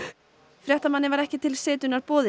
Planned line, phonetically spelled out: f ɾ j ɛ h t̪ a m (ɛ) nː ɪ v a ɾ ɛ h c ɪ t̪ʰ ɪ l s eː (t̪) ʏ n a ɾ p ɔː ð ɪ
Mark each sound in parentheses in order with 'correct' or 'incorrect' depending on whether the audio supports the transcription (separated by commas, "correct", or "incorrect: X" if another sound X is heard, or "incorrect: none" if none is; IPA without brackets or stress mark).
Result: incorrect: a, correct